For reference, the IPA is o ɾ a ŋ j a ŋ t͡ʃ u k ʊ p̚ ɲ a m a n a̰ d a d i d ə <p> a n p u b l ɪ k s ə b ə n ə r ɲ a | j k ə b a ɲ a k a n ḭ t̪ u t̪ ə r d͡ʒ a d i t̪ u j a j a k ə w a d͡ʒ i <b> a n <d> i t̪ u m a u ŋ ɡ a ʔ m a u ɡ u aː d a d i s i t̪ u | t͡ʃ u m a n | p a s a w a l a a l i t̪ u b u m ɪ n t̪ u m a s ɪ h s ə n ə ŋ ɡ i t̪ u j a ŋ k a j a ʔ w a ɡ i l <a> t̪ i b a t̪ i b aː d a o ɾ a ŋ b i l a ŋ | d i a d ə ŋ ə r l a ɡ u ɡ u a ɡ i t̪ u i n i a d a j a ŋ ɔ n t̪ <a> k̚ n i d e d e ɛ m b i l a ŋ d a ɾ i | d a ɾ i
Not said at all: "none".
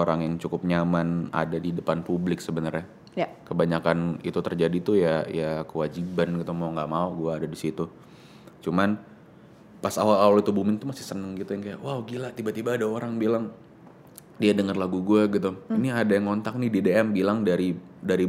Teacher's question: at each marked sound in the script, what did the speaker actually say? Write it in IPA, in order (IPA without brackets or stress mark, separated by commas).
p, b, ɡ, a, a